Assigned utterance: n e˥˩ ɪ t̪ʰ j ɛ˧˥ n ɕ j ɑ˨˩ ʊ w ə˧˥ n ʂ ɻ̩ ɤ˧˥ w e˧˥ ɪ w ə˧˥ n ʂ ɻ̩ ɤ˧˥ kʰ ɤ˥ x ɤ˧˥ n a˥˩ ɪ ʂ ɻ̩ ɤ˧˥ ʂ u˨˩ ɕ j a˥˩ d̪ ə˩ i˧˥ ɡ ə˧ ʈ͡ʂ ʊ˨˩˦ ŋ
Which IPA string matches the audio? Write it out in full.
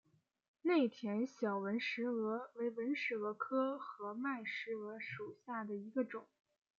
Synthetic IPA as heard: n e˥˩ ɪ t̪ʰ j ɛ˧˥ n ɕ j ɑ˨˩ ʊ w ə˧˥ n ʂ ɻ̩ ɤ˧˥ w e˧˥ ɪ w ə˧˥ n ʂ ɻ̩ ɤ˧˥ kʰ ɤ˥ x ɤ˧˥ m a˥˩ ɪ ʂ ɻ̩ ɤ˧˥ ʂ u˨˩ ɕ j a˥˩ d̪ ə˩ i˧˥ ɡ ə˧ ʈ͡ʂ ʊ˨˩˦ ŋ